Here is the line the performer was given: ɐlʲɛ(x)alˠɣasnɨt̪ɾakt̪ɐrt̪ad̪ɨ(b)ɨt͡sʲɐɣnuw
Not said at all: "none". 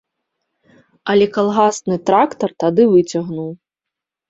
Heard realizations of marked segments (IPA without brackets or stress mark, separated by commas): k, v